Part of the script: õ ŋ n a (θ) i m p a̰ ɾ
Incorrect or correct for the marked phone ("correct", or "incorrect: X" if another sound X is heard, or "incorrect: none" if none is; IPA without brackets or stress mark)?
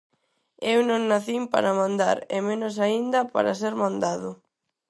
correct